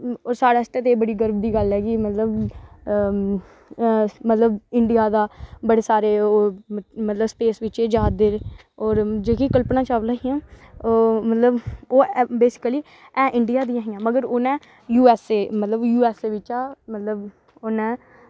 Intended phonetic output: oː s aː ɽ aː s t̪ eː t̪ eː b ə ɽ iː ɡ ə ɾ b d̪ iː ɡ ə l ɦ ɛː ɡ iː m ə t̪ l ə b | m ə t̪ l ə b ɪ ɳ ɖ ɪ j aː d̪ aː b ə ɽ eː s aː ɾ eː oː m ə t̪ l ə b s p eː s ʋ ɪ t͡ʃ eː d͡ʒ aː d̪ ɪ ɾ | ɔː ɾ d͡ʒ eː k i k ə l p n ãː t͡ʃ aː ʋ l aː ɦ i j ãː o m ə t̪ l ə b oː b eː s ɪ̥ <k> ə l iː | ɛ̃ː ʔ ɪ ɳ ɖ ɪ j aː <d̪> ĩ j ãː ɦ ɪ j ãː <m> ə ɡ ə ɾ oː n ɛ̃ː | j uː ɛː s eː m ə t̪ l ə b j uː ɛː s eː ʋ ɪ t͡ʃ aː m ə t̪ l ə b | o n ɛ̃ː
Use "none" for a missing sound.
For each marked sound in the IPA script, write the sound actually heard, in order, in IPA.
k, d̪, m

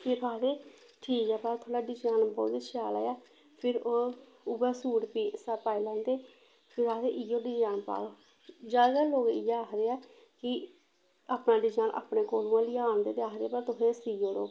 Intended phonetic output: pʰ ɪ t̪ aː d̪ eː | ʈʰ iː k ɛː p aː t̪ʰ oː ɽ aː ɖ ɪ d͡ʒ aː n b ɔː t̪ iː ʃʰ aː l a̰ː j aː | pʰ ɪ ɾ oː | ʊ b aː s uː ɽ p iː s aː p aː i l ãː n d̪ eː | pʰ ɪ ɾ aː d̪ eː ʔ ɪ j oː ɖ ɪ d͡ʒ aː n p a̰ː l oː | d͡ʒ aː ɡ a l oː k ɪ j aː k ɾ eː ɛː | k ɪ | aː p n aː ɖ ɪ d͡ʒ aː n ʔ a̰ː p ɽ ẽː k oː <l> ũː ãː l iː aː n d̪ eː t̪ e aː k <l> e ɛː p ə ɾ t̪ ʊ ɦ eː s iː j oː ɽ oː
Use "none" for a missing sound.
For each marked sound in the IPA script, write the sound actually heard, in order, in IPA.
l, ɾ

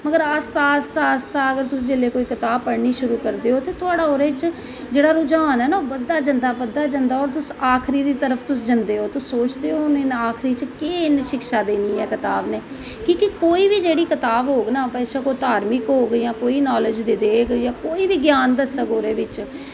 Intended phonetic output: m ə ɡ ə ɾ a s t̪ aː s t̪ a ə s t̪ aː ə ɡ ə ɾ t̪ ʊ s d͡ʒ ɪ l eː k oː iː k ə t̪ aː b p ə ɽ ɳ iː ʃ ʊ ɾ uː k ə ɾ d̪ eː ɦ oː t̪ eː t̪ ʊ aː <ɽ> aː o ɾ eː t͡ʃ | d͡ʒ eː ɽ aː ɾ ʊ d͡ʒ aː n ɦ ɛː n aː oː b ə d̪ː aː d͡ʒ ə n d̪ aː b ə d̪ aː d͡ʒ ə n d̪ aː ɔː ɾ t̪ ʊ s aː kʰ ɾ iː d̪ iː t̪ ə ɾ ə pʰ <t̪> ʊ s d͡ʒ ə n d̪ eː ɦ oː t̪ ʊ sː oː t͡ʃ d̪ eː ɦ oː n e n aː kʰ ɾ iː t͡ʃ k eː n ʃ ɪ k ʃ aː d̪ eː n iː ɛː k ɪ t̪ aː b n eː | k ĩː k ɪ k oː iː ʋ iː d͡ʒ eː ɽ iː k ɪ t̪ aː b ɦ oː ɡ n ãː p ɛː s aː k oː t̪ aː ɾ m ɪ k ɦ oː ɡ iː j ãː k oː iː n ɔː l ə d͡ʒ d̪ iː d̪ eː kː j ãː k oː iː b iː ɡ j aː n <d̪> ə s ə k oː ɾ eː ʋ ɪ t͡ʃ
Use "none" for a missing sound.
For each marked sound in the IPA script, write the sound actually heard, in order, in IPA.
ɽ, t̪, d̪

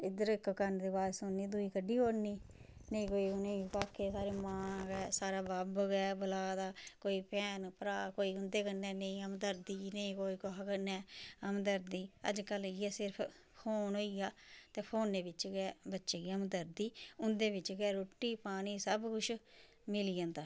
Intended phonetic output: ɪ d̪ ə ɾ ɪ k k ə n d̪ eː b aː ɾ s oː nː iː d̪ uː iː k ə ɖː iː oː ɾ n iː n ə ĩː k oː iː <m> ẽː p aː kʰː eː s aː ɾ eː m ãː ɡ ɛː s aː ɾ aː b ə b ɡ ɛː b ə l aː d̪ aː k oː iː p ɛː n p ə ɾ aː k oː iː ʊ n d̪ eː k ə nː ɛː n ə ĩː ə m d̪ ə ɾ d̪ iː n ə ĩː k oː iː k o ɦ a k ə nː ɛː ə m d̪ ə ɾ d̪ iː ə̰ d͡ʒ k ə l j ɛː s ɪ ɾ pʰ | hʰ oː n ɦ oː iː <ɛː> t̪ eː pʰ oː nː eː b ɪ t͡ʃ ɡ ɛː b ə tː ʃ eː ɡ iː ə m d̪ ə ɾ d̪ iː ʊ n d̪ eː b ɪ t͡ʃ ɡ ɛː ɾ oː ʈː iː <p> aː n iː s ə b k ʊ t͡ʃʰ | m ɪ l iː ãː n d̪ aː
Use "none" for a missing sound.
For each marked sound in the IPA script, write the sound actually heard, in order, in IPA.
n, aː, p

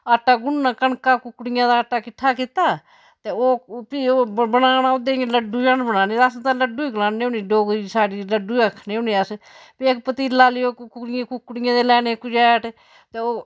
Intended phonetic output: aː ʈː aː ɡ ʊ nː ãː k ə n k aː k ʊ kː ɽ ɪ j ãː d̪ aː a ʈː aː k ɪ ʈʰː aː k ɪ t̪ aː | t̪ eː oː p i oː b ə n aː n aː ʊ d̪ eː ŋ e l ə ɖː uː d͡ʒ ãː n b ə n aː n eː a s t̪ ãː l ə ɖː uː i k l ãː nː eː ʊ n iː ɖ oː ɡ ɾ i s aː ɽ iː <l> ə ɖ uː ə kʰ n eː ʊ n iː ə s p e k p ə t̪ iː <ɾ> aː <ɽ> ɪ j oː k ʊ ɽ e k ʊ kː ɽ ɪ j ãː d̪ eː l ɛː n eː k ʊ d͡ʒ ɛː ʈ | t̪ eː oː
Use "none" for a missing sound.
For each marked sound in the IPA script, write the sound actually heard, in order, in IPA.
l, l, l

